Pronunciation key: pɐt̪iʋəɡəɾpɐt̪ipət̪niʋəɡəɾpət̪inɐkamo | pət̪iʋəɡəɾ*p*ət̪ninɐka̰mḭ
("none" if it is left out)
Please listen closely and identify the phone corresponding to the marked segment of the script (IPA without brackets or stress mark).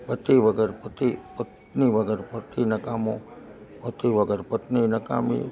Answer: p